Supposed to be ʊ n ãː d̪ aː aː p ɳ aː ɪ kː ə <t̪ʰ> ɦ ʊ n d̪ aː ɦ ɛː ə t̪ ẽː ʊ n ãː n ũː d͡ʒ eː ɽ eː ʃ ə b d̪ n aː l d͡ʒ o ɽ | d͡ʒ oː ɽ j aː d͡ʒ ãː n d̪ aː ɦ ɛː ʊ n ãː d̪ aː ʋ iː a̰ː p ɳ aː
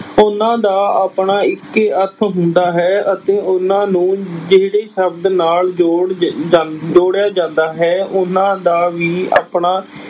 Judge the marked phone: correct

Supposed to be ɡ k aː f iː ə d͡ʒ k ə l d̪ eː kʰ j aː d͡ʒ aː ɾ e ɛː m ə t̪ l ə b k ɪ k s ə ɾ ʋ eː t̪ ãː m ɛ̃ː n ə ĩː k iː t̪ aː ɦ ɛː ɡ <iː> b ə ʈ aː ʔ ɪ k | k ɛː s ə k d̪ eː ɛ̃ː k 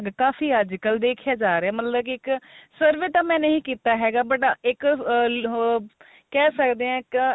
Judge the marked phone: incorrect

